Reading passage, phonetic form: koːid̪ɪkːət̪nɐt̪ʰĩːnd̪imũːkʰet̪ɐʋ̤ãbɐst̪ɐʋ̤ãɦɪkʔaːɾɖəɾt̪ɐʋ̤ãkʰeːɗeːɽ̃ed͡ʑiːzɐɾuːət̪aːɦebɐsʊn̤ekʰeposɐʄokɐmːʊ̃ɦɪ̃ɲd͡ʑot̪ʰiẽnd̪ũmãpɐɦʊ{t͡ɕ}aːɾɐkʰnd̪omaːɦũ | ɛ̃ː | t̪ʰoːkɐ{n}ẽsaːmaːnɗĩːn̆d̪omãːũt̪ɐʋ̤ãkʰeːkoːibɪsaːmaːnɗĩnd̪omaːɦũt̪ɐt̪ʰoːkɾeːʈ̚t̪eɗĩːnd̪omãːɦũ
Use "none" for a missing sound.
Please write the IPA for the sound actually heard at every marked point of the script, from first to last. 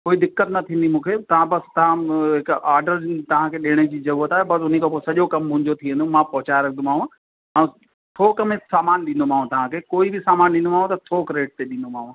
t͡ɕ, m

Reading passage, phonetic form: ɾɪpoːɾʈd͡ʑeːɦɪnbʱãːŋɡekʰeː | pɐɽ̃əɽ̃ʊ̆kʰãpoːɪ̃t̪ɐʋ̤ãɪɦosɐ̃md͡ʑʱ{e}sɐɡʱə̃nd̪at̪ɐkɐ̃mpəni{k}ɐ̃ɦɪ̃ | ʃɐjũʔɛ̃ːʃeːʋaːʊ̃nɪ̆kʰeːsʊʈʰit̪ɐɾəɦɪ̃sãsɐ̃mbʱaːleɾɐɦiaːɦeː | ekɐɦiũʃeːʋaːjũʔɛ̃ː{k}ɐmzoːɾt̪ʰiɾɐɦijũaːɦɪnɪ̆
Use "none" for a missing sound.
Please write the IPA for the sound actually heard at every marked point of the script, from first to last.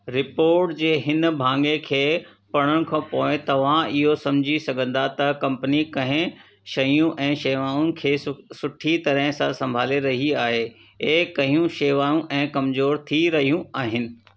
i, k, k

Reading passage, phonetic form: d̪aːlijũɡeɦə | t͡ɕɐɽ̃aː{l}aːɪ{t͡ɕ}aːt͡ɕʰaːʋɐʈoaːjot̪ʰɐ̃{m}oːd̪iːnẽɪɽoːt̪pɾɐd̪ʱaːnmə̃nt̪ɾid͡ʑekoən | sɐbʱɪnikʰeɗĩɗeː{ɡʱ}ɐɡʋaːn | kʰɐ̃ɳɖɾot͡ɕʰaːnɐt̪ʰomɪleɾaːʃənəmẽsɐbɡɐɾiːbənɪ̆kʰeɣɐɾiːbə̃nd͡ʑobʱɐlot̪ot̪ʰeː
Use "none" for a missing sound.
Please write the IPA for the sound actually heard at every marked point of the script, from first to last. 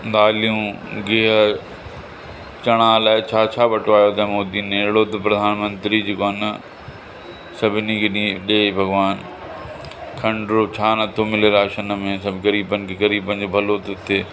l, t͡ɕʰ, m, bʱ

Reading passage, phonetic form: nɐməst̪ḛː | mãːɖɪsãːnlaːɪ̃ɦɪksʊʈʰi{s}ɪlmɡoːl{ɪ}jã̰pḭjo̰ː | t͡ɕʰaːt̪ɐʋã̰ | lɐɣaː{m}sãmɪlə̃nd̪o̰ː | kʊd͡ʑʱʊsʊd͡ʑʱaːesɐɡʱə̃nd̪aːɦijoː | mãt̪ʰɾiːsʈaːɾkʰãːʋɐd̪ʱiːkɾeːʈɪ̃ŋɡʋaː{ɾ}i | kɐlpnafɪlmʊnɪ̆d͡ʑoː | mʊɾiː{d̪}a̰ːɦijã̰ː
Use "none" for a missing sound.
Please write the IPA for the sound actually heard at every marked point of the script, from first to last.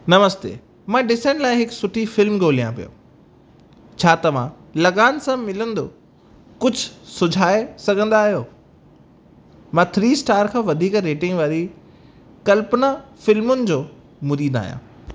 f, i, n, ɾ, d̪

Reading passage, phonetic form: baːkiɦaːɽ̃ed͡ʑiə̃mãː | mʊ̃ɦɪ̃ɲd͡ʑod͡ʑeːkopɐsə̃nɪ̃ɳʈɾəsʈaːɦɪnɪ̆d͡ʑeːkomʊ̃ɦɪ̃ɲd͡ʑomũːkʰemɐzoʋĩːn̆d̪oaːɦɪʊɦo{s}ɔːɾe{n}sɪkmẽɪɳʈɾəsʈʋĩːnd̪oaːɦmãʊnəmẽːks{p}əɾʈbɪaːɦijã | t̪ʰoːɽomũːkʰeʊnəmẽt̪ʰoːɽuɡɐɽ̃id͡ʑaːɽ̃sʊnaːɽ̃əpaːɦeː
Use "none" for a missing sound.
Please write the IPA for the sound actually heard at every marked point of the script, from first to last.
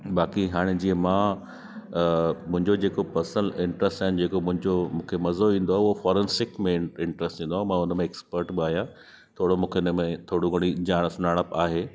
f, n, p

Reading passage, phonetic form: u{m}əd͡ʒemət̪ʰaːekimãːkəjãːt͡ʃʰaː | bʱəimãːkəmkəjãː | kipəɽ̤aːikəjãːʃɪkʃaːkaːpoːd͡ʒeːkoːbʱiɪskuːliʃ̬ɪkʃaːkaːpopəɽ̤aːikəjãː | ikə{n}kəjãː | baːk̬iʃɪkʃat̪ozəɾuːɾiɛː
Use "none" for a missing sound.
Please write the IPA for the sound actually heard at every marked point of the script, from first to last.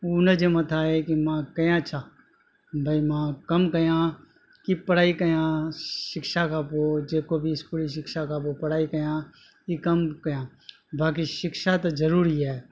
n, m

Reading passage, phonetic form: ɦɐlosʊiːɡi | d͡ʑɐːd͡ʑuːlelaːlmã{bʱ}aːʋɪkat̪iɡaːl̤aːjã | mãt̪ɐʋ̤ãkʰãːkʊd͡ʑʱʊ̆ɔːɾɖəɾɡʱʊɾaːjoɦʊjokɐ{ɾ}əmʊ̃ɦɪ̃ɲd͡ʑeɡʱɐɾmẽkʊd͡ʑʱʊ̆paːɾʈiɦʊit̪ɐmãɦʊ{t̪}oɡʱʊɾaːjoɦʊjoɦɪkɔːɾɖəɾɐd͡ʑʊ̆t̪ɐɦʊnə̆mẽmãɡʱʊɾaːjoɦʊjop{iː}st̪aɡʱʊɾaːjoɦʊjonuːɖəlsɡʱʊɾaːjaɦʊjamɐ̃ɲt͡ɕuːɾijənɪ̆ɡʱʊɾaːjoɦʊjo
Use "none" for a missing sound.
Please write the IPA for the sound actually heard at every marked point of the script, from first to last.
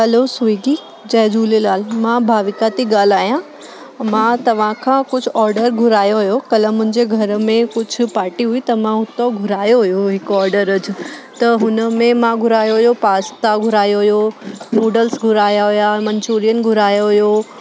bʱ, l, t̪, aː

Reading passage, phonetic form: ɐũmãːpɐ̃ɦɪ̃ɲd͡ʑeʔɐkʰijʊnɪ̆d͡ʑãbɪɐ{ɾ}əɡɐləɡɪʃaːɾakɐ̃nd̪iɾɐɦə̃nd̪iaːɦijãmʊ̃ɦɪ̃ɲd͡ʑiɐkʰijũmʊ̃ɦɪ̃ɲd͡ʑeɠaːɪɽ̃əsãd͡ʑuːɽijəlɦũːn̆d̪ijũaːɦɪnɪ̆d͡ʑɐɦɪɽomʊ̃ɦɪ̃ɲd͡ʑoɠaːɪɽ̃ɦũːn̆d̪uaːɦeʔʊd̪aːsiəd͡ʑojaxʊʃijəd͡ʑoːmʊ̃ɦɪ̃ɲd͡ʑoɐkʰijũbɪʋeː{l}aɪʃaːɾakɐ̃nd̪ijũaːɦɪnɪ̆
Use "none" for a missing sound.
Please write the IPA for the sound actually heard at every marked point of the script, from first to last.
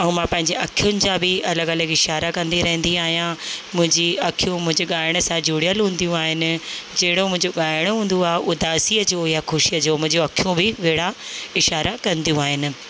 l, ɽ

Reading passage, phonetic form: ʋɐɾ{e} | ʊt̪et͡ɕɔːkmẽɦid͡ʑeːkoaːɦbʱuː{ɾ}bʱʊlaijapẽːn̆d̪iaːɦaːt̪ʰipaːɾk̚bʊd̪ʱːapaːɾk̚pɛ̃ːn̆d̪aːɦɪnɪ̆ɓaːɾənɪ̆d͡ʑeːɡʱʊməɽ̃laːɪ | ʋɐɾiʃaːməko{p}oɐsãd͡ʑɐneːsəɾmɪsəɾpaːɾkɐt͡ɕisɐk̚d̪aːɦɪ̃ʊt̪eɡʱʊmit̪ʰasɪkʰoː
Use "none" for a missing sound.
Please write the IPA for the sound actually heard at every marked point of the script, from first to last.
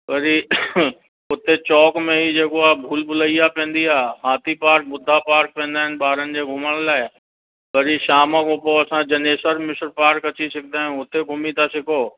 i, l, p

